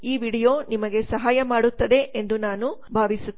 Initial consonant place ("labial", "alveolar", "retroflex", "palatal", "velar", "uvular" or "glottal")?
labial